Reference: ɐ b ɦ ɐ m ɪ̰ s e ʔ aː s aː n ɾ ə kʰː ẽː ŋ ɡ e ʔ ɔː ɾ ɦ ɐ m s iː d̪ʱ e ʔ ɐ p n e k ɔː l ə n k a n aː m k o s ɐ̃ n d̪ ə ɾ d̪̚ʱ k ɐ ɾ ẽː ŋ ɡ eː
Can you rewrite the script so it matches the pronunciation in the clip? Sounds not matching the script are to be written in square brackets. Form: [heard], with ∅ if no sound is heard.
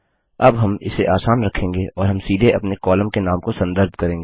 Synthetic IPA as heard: ɐ b ɦ ɐ m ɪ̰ s e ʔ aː s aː n ɾ [ɐ] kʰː ẽː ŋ ɡ e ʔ ɔː ɾ ɦ ɐ m s iː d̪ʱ e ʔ ɐ p n e k ɔː l ə [m] k [e] n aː m k o s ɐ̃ n d̪ ə ɾ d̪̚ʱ k ɐ ɾ ẽː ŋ ɡ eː